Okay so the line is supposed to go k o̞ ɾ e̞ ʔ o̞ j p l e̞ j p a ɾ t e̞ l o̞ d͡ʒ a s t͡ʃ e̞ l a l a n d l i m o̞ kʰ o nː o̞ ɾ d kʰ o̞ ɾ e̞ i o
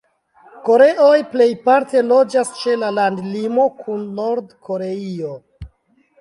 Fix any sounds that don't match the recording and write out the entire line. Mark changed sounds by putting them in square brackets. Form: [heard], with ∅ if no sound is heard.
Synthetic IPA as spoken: k o̞ ɾ e̞ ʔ o̞ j p l e̞ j p a ɾ t e̞ l o̞ d͡ʒ a s t͡ʃ e̞ l a l a n d l i m o̞ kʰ [u] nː o̞ ɾ d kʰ o̞ ɾ e̞ i o